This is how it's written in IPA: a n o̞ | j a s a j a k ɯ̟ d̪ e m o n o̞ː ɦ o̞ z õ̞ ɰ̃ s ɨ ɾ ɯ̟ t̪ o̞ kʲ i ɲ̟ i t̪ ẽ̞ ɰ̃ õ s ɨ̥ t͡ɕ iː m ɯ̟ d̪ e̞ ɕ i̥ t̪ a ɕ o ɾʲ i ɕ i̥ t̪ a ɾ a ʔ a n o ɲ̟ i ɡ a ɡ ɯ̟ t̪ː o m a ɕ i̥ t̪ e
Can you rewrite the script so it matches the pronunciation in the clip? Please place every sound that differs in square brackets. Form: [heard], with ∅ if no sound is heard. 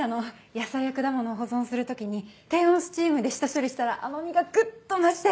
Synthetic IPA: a n o̞ | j a s a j a k ɯ̟ d̪ [a] m o n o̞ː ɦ o̞ z õ̞ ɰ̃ s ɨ ɾ ɯ̟ t̪ o̞ kʲ i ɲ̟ i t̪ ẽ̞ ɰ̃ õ s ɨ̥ t͡ɕ iː m ɯ̟ d̪ e̞ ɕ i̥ t̪ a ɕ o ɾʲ i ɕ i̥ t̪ a ɾ a ʔ a n o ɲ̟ i ɡ a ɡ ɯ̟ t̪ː o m a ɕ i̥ t̪ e